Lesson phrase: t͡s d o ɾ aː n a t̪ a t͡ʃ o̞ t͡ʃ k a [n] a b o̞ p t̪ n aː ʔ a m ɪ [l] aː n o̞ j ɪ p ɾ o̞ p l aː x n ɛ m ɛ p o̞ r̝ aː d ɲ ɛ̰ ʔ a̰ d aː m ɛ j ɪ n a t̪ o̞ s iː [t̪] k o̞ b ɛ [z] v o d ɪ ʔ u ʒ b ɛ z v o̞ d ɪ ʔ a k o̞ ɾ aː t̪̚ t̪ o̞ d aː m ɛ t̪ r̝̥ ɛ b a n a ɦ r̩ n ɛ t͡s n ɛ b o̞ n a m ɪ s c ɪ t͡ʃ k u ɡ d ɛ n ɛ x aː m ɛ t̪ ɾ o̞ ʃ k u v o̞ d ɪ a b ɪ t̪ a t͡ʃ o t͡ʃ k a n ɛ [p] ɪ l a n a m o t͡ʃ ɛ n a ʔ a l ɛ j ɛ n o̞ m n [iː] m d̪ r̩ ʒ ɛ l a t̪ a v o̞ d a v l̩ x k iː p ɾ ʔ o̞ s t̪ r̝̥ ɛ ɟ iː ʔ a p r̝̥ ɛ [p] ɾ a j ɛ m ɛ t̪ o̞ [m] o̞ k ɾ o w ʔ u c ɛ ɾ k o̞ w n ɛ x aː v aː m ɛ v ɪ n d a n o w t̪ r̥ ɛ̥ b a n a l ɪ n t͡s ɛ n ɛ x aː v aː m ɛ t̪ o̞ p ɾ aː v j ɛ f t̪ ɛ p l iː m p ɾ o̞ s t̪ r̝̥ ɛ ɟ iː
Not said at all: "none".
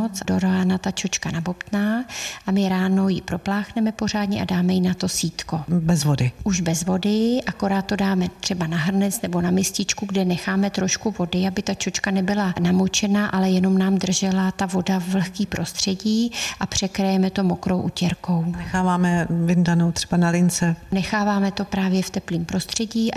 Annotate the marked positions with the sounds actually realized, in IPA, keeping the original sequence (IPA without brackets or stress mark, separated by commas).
n, ɾ, t̪, z, b, aː, k, m